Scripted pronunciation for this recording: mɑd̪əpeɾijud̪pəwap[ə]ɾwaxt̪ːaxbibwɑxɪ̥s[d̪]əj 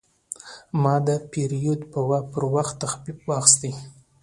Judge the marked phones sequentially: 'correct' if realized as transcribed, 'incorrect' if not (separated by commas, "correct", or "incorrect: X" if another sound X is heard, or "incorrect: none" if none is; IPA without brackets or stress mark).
correct, incorrect: t̪